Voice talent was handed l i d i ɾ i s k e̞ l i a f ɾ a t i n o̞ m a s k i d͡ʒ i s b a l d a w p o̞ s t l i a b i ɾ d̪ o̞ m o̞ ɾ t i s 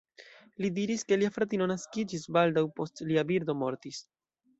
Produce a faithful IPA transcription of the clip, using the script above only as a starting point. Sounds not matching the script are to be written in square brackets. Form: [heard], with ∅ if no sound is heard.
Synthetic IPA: l i d i ɾ i s k e̞ l i a f ɾ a t i n o̞ [n] a s k i d͡ʒ i s b a l d a w p o̞ s t l i a b i ɾ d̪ o̞ m o̞ ɾ t i s